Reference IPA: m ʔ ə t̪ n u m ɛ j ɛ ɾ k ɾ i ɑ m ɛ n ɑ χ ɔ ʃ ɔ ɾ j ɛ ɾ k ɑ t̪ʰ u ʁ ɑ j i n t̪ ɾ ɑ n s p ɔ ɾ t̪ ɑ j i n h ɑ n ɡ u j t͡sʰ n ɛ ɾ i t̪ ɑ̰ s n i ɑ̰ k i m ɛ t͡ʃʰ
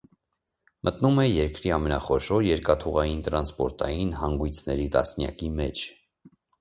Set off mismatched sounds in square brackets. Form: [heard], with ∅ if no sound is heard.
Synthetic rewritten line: m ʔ ə t̪ n u m ɛ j ɛ ɾ k ɾ i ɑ m ɛ n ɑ χ ɔ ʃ ɔ ɾ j ɛ ɾ k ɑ t̪ʰ u ʁ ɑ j i n t̪ ɾ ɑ n s p ɔ ɾ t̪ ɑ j i n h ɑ [ŋ] ɡ u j t͡sʰ n ɛ ɾ i t̪ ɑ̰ s n [j] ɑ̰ k i m ɛ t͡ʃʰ